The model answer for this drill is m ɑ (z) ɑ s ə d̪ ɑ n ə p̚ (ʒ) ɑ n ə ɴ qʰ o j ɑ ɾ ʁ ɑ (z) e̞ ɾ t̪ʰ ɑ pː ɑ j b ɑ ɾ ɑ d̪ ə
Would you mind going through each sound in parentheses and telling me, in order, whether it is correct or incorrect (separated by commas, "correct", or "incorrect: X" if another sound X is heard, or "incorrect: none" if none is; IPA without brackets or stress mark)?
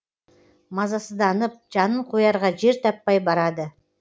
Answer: correct, correct, incorrect: ʒ